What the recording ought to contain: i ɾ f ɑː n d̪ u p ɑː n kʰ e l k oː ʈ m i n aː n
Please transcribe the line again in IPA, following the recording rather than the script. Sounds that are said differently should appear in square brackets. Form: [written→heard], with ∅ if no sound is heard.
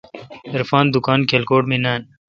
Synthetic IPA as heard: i ɾ f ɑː n d̪ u [p→k] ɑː n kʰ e l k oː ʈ m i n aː n

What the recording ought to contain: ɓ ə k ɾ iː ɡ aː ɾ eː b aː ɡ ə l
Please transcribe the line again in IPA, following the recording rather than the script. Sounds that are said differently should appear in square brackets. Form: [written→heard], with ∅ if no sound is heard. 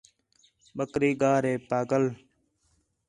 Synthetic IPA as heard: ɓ ə k ɾ iː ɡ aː ɾ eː [b→p] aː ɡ ə l

